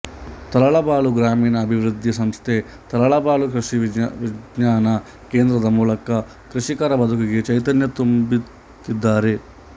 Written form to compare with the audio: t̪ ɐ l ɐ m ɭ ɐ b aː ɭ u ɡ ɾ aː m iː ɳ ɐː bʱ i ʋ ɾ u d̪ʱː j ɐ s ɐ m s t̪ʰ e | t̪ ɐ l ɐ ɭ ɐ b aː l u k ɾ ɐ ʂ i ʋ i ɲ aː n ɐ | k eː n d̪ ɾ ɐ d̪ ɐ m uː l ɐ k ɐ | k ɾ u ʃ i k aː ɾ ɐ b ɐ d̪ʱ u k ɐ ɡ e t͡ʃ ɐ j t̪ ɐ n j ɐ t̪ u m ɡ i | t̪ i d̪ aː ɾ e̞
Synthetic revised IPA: t̪ ɐ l ɐ ɭ ɐ b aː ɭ u ɡ ɾ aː m iː n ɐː bʱ i ʋ ɾ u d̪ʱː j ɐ s ɐ m s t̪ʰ e | t̪ ɐ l ɐ ɭ ɐ b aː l u k ɾ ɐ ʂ i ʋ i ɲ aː n ɐ | k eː n d̪ ɾ ɐ d̪ ɐ m uː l ɐ k ɐ | k ɾ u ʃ i k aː ɾ ɐ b ɐ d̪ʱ u k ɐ ɡ e t͡ʃ ɐ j t̪ ɐ n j ɐ t̪ u m b i | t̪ i d̪ː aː ɾ e̞